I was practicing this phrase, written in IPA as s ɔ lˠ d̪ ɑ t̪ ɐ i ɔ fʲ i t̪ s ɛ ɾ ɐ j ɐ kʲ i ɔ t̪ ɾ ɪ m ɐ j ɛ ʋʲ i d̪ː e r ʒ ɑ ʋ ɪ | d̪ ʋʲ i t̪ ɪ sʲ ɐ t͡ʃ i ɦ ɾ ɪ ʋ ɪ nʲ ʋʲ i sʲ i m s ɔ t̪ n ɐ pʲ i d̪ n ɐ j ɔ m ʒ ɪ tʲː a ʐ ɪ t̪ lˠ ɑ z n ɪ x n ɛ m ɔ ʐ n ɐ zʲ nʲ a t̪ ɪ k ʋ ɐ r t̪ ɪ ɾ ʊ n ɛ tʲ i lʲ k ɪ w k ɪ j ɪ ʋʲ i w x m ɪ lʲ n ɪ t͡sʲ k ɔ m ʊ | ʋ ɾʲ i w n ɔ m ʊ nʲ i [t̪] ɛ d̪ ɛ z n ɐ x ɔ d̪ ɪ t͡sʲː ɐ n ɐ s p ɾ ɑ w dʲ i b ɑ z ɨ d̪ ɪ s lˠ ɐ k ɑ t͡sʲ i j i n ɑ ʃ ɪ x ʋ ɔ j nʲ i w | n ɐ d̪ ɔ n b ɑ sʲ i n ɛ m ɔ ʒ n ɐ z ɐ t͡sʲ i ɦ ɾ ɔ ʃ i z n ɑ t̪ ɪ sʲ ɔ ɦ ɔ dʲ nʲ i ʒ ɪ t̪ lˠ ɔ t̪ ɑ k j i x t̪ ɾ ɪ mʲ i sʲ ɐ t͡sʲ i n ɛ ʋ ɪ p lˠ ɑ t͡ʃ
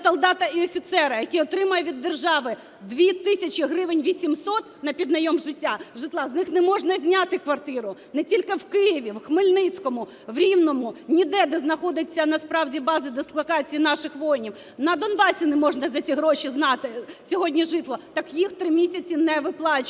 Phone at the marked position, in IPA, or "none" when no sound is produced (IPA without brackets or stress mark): d̪